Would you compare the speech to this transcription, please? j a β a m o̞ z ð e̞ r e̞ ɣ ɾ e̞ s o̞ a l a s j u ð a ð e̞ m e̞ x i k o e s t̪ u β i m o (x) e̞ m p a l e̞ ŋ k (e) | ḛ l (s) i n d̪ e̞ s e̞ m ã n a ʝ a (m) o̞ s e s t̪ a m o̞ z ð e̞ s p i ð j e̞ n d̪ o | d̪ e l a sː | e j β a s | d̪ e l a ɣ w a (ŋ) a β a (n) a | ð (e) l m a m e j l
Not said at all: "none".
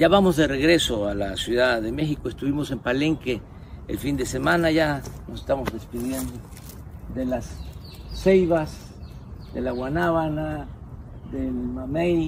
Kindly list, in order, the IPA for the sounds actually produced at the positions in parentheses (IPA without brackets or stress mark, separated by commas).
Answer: s, e, f, n, n, n, e